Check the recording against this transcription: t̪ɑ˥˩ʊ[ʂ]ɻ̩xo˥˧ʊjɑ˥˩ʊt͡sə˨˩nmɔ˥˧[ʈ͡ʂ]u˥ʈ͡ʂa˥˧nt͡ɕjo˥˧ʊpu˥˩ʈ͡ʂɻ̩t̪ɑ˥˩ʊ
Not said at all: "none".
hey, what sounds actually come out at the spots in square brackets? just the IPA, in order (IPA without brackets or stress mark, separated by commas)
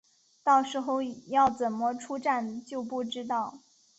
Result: ʂ, ʈ͡ʂʰ